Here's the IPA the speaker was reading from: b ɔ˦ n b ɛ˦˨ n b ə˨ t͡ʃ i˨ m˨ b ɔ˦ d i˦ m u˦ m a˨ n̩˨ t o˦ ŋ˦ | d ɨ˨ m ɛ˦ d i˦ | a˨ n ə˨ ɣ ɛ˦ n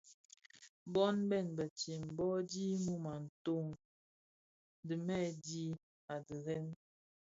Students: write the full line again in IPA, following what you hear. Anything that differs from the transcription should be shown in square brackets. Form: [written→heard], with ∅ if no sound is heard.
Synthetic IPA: b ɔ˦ n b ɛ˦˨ n b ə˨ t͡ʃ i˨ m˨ b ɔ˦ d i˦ m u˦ m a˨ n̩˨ t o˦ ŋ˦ | d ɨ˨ m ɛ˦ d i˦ | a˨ [n→d] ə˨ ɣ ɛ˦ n